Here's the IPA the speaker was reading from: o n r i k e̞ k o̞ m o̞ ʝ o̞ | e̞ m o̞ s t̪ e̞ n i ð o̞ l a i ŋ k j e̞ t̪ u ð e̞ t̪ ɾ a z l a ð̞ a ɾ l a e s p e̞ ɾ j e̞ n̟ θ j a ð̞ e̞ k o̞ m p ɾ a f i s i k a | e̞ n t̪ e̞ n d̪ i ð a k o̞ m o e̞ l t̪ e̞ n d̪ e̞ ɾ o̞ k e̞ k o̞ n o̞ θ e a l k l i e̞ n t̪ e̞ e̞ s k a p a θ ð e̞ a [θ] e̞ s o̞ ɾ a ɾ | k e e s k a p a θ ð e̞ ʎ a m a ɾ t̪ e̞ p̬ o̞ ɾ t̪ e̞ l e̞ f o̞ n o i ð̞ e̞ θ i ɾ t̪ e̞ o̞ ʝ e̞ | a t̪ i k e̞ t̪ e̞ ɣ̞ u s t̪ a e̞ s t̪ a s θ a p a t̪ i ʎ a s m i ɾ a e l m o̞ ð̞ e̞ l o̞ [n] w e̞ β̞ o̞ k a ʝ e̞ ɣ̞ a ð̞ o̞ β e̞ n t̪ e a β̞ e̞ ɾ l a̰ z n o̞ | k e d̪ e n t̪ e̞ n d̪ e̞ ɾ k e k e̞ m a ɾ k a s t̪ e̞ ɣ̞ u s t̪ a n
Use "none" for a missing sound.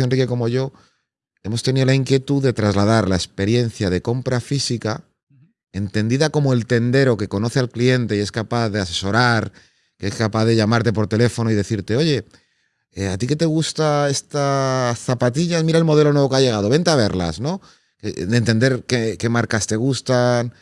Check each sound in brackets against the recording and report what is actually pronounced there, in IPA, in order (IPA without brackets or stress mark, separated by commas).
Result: s, n